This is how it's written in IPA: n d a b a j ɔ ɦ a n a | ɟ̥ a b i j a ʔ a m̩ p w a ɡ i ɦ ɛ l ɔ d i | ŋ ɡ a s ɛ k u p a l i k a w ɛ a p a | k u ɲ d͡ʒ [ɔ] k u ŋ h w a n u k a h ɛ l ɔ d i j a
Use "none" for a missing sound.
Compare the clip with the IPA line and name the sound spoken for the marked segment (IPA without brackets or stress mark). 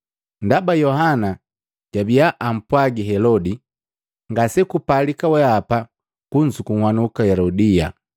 u